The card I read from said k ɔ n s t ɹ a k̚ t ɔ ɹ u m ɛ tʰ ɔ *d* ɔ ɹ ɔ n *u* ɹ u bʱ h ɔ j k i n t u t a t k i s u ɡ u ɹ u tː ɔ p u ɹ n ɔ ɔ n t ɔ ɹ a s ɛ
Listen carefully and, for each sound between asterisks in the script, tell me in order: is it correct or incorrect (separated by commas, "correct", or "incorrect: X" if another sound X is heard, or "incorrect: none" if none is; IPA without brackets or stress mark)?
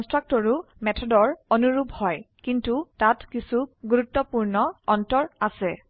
correct, correct